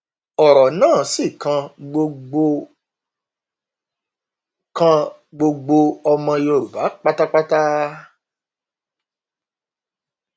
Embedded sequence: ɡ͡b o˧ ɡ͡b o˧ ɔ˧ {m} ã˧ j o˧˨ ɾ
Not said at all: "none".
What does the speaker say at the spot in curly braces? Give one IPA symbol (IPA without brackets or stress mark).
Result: m